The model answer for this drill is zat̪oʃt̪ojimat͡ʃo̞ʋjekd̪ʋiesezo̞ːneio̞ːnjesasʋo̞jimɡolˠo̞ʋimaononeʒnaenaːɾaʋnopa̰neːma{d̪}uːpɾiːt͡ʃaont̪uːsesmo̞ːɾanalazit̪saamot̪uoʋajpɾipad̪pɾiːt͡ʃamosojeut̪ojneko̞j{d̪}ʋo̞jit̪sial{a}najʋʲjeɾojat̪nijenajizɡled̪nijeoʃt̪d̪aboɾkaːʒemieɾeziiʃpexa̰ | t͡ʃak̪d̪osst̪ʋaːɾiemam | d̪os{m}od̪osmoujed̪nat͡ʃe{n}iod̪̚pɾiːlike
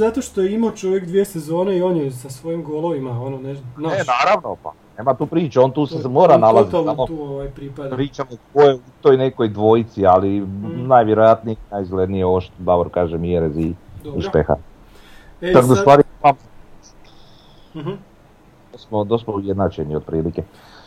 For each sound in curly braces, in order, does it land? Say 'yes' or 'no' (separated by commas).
no, yes, no, yes, yes